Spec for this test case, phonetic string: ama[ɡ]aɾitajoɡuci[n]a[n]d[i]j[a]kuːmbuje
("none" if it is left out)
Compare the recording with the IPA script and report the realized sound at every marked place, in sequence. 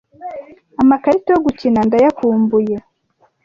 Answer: k, n, n, a, a

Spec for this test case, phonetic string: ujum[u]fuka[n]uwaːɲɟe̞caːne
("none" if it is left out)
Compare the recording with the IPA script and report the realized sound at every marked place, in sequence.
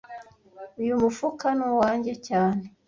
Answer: u, n

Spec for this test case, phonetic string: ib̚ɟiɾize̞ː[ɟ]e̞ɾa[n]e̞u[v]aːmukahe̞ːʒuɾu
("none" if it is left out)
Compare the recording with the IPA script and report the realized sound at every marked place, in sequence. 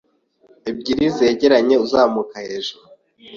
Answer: ɟ, ɲ, z

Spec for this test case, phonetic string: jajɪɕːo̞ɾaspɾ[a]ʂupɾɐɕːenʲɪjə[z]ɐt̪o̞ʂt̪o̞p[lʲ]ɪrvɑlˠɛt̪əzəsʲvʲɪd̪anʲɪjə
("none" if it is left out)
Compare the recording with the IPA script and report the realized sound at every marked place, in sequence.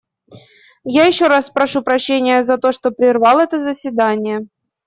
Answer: ɐ, z, ɾʲ

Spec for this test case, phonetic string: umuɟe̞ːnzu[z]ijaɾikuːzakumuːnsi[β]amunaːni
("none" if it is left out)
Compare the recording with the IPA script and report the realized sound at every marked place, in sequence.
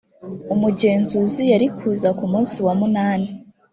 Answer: z, w

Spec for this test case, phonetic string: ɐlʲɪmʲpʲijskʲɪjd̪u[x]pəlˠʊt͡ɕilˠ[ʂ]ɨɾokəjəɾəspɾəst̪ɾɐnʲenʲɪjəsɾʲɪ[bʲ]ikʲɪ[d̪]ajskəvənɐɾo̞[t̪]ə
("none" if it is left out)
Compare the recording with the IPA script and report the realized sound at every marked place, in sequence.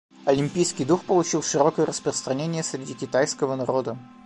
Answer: x, ʂ, dʲ, t̪, d̪

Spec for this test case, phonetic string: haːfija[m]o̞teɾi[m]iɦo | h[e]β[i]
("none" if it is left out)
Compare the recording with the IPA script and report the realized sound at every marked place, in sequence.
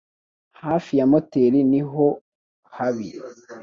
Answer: m, n, a, i

